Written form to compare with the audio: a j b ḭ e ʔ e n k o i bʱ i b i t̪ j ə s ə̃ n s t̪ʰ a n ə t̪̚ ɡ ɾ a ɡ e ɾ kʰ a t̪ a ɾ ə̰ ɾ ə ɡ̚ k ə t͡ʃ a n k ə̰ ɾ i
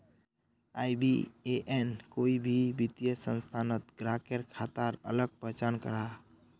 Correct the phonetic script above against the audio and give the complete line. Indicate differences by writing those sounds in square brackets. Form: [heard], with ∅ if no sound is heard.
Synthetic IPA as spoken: a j b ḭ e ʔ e n k o i bʱ i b i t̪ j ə s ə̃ n s t̪ʰ a n ə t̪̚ ɡ ɾ a [k] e ɾ kʰ a t̪ a ɾ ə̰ [l] ə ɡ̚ [p] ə t͡ʃ a n k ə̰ ɾ [a]